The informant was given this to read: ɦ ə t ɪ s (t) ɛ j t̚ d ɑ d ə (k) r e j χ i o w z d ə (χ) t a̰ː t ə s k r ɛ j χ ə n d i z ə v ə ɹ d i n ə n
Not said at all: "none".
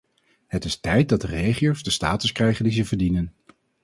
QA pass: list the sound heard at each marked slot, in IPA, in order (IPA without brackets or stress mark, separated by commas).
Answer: t, none, s